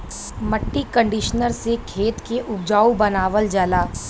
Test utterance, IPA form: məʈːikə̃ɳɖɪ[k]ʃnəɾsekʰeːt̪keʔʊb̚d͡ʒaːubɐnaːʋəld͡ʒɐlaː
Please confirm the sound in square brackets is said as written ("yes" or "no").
no